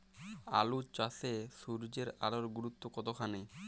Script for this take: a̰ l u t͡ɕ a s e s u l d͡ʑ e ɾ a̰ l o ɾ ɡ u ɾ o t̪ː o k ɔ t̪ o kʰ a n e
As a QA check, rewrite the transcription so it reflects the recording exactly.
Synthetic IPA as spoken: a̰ l u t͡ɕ a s e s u ɾ d͡ʑ e ɾ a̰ l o ɾ ɡ u ɾ u t̪ː o k ɔ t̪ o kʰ a n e

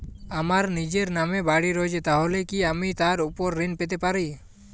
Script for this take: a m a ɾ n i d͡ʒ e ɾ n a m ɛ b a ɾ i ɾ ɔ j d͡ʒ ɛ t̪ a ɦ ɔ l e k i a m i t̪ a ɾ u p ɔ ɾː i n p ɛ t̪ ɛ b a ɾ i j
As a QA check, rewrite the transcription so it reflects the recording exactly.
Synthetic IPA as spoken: a m a ɾ n i d͡ʒ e ɾ n a m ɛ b a ɽ i ɾ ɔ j d͡ʒ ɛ t̪ a ɦ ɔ l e k i a m i t̪ a ɾ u p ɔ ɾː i n p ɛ t̪ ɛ p a ɾ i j

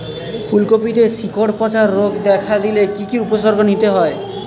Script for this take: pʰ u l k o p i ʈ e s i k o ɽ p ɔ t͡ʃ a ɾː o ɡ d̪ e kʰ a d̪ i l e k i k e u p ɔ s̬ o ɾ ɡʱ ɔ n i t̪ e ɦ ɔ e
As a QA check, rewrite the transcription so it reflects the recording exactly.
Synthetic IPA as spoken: pʰ u l k o p i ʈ e s i k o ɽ p ɔ t͡ʃ a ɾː o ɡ d̪ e kʰ a d̪ i l e k i k i u p ɔ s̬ ɔ ɾ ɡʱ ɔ n i t̪ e ɦ ɔ e

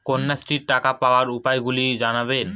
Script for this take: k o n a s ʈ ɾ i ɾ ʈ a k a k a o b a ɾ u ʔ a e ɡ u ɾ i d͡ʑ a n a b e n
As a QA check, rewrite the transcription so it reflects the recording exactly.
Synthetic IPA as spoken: k o nː a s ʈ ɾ i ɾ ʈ a k a p a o a ɾ u p a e ɡ u l i d͡ʑ a n a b e n

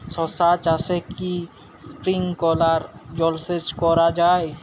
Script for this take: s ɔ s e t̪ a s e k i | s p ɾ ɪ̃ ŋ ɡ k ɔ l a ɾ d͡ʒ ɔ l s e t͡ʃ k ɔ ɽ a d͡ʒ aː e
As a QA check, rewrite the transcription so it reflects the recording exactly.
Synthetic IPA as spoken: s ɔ s a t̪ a s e k i | s p ɾ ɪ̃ ŋ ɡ k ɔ l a ɾ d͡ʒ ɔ l s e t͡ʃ k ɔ ɾ a d͡ʒ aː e

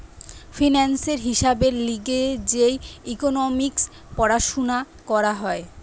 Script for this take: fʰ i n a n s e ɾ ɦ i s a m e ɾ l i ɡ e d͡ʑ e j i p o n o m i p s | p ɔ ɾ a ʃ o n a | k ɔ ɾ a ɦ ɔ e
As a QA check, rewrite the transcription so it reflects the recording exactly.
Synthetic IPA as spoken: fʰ i n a n s e ɾ ɦ i ʃ a b e ɾ l i ɡ e d͡ʑ e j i k o n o m i k s | p ɔ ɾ a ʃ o n a | k ɔ ɾ a ɦ ɔ e

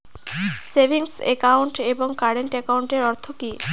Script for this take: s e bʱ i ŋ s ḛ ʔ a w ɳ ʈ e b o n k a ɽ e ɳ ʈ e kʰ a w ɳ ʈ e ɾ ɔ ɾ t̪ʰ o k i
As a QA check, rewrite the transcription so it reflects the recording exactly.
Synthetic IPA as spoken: s e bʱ i ŋ s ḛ k a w ɳ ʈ e b o ŋ k a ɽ e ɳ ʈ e k a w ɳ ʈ e ɾ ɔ ɾ t̪ʰ o k i

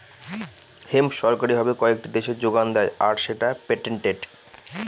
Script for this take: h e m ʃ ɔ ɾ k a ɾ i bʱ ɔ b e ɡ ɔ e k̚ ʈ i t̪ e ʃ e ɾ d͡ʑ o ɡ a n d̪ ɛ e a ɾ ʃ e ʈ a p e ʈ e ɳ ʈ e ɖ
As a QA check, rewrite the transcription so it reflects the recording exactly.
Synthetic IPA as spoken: h e m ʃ ɔ ɾ k a ɾ i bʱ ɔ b e k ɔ e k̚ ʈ i d̪ e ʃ e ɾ d͡ʑ o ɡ a n d̪ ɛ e a ɾ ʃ e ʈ a p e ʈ e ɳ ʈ e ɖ

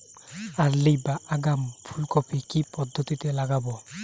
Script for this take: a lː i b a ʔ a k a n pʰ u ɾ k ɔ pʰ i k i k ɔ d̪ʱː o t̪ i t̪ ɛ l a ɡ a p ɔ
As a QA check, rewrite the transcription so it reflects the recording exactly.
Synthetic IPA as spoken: a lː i b a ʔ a ɡ a m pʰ u l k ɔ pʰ i k i p ɔ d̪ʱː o t̪ i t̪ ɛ l a ɡ a b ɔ

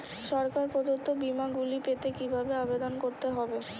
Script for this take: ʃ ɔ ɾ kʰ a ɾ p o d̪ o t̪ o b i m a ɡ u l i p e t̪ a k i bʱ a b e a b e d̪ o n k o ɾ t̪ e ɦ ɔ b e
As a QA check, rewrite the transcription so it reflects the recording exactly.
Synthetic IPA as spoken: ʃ ɔ ɾ k a ɾ p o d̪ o t̪ o b i m a ɡ u l i p e t̪ e k i bʱ a b e a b e d̪ o n k o ɾ t̪ e ɦ ɔ b e

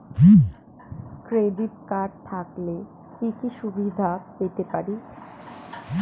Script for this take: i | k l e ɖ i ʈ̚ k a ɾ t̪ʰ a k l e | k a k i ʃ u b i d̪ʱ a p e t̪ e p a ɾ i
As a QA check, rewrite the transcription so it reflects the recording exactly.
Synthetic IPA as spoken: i | k ɾ e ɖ i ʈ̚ k a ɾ t̪ʰ a k l e | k i k i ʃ u b i d̪ʱ a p e t̪ e p a ɾ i

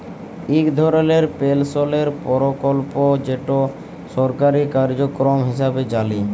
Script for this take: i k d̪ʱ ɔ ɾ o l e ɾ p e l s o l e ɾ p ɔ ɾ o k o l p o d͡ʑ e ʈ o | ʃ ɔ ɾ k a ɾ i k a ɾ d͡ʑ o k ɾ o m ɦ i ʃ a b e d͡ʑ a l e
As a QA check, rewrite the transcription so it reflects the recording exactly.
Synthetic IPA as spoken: i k d̪ʱ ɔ ɾ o l e ɾ p e l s o l e ɾ p ɔ ɾ o k o l p o d͡ʑ e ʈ o | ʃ ɔ ɾ k a ɾ i k a ɾ d͡ʑ o k ɾ o m ɦ i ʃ a b e d͡ʑ a l i

